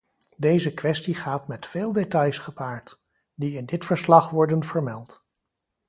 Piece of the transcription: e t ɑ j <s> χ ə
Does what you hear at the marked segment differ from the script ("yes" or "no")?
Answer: no